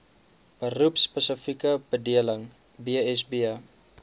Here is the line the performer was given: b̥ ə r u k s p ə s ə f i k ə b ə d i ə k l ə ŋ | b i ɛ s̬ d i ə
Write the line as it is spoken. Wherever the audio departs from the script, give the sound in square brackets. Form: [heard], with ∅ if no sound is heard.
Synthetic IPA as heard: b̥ ə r u [p] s p ə s ə f i k ə b ə d i ə [∅] l ə ŋ | b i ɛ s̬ [b] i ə